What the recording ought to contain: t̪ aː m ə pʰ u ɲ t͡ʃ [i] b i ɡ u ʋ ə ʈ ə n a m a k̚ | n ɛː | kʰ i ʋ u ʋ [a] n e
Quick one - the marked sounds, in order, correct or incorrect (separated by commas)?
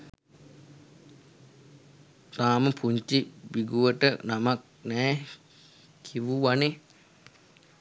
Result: correct, correct